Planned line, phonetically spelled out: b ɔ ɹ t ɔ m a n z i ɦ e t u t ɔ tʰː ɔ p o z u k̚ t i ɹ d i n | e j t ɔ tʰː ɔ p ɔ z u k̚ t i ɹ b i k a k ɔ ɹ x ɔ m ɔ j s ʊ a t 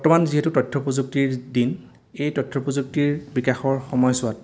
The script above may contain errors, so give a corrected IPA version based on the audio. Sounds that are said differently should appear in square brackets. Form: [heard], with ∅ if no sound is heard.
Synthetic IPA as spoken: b ɔ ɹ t ɔ m a n z i ɦ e t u t ɔ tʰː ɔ p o z u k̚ t i ɹ d i n | e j t ɔ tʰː ɔ p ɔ z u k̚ t i ɹ b i k a [x] ɔ ɹ x ɔ m ɔ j s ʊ a t